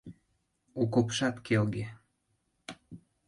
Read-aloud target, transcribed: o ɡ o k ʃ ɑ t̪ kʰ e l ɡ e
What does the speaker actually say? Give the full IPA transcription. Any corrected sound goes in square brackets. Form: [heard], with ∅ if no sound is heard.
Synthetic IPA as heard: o [k] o [p] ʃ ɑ t̪ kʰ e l ɡ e